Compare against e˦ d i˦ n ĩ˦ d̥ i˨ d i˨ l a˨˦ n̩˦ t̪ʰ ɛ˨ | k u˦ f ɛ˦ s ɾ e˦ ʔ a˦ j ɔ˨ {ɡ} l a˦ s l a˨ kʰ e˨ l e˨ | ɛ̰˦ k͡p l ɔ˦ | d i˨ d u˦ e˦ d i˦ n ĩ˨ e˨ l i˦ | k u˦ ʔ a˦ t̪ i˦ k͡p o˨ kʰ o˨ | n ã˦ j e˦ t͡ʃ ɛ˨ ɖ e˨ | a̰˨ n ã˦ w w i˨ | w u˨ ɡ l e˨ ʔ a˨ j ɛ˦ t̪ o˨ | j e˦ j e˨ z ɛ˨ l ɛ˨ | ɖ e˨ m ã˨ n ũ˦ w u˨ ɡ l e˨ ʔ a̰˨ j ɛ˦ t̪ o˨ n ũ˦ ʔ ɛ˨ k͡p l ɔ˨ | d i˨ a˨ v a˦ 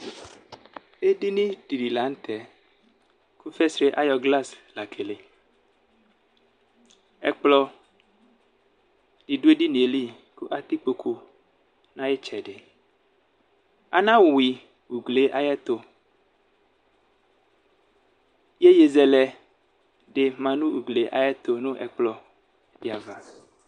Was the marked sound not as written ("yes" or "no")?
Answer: no